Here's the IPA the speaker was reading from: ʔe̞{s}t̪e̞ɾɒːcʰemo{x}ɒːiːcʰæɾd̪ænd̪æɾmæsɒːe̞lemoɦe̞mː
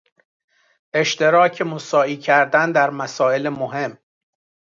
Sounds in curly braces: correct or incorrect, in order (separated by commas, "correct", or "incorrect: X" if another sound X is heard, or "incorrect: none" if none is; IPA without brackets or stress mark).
incorrect: ʃ, incorrect: s